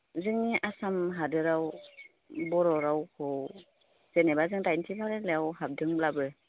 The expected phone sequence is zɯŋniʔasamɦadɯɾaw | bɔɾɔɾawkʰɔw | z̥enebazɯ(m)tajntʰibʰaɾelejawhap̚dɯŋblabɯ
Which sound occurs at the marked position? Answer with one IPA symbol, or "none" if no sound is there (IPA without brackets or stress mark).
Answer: ŋ